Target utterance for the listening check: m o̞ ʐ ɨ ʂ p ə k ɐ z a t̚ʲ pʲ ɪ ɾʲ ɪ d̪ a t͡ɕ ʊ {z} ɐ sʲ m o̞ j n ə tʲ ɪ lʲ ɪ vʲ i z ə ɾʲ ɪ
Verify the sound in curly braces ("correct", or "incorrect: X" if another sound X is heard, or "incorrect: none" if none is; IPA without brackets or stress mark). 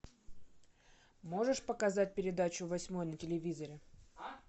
incorrect: v